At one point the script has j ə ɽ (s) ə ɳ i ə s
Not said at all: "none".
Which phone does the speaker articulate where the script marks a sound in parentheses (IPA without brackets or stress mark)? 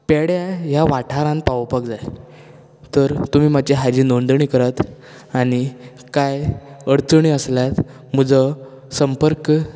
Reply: t͡s